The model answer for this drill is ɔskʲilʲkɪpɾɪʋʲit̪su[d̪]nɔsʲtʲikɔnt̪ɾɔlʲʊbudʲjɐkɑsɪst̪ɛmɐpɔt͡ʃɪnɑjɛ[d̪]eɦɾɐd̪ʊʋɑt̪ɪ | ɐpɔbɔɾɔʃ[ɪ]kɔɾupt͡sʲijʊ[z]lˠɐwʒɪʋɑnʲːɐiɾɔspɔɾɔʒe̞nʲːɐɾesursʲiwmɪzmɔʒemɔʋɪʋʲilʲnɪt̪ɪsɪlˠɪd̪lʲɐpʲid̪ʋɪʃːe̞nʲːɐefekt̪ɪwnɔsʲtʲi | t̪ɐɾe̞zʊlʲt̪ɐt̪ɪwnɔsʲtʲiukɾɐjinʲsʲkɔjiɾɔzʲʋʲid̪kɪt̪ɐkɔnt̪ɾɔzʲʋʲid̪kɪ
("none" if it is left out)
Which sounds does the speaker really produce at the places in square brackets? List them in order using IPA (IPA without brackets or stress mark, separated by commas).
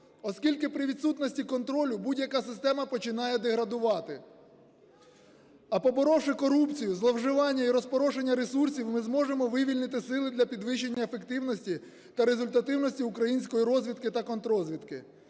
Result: t̪, d̪, ɪ, z